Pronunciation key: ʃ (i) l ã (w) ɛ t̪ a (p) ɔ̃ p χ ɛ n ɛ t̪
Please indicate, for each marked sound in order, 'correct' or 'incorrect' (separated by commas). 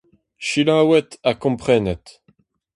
correct, correct, incorrect